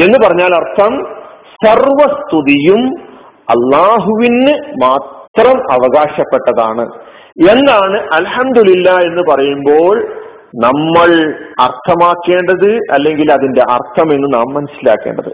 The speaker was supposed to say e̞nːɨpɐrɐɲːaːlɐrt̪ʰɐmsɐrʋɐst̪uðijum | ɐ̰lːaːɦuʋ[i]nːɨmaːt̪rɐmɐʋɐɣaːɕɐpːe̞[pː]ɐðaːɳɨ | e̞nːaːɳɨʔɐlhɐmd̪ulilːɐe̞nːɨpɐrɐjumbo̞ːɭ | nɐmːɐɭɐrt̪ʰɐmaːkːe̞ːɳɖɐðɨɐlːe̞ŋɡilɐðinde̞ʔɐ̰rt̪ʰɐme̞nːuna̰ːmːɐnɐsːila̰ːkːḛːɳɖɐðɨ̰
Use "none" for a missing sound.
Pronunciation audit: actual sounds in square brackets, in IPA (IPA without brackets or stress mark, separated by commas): i, ʈː